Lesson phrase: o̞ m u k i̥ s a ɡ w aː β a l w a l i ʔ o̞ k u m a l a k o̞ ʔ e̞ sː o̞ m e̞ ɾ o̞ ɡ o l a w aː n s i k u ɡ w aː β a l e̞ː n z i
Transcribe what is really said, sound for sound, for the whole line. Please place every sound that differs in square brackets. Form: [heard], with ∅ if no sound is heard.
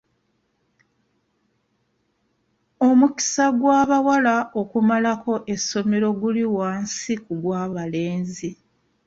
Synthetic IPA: o̞ m u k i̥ s a ɡ w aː β a [∅] w a l [a] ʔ o̞ k u m a l a k o̞ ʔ e̞ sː o̞ m e̞ ɾ o̞ ɡ [u] l [i] w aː n s i k u ɡ w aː β a l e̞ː n z i